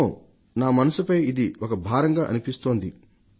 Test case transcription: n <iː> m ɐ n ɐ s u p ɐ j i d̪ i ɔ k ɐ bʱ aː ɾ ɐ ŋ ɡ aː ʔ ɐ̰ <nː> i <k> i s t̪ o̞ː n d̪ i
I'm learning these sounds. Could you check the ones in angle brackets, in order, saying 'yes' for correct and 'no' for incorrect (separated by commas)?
no, no, no